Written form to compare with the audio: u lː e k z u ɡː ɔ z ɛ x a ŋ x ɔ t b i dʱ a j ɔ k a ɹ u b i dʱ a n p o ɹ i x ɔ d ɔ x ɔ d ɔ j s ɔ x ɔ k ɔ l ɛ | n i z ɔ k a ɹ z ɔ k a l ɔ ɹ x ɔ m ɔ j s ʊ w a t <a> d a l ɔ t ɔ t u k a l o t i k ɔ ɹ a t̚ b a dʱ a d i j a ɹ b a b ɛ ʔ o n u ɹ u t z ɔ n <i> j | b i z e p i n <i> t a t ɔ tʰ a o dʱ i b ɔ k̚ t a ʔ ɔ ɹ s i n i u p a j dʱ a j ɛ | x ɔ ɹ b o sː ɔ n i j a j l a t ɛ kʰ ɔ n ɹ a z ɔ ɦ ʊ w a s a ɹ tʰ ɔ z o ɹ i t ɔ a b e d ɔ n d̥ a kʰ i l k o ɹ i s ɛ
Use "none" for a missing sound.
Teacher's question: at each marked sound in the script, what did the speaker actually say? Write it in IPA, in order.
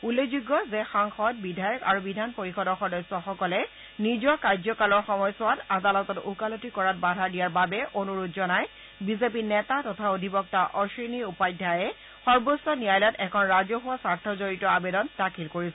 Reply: a, a, ɛ

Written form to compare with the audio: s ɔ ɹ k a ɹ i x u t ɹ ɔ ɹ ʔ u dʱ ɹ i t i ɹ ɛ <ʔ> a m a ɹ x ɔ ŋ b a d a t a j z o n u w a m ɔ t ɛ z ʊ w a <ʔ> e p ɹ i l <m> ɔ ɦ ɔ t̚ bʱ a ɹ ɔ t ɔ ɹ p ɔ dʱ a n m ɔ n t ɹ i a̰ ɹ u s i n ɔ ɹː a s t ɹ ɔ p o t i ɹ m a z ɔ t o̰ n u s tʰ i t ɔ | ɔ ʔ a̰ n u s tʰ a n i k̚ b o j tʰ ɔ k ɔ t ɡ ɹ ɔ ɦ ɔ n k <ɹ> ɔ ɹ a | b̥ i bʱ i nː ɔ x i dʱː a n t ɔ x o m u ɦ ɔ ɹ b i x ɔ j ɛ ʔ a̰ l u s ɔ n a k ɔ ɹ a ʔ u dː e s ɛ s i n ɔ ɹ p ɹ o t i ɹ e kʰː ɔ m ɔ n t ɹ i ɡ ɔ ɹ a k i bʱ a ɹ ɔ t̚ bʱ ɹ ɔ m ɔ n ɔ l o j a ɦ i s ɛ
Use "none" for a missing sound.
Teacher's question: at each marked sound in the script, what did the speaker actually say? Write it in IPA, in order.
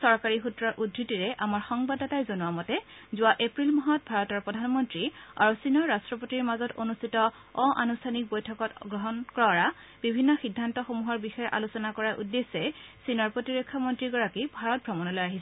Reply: ʔ, ʔ, m, ɹ

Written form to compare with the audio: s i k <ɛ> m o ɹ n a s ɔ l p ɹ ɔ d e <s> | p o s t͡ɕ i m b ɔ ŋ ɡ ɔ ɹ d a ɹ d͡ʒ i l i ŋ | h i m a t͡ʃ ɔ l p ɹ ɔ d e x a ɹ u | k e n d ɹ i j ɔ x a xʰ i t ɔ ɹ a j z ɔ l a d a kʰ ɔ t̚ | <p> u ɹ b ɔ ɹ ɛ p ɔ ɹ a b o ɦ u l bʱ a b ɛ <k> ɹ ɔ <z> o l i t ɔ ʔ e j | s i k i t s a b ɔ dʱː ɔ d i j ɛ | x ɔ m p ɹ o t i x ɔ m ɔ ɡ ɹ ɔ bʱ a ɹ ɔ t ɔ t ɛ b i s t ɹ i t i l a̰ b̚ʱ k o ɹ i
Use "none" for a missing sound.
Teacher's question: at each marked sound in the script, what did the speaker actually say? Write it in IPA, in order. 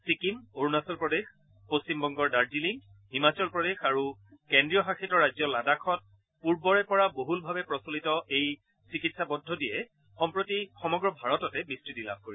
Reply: i, x, p, p, s

